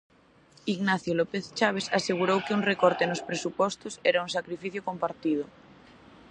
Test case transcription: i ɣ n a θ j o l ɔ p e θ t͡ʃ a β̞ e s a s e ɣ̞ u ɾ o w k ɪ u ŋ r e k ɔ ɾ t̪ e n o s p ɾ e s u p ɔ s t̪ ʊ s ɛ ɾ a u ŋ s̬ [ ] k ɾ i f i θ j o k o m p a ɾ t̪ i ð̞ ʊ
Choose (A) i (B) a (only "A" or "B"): B